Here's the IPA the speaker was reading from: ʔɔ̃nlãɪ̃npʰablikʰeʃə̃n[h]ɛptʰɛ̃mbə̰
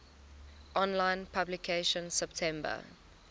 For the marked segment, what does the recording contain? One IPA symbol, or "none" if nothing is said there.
s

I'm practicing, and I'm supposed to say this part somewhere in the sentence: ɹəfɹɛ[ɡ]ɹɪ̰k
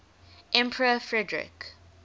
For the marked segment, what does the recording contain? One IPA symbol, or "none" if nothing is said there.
d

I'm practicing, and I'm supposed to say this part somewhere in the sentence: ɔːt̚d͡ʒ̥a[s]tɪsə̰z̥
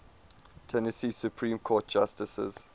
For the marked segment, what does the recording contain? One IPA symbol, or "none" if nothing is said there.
s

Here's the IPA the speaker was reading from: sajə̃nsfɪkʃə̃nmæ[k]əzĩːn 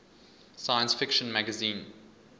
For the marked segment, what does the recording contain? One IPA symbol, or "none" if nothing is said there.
ɡ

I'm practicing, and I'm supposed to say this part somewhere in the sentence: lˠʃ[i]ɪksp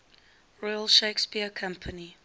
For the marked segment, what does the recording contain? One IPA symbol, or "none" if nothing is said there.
e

